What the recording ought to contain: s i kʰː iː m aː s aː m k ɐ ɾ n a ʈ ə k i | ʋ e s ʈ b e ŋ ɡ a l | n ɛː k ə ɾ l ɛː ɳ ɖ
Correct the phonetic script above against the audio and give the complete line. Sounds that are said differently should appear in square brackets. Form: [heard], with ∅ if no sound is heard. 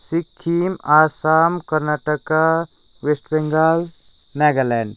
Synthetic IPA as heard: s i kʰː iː m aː s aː m k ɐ ɾ n a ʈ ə k [a] | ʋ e s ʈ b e ŋ ɡ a l | n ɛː [ɡ] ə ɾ l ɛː ɳ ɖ